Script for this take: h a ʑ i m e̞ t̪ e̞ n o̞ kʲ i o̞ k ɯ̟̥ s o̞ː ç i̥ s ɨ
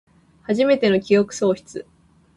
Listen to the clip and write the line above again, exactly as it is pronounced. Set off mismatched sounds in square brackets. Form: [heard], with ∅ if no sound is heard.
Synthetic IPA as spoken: h a ʑ i m e̞ t̪ e̞ n o̞ kʲ i o̞ k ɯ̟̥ s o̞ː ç i̥ [t͡s] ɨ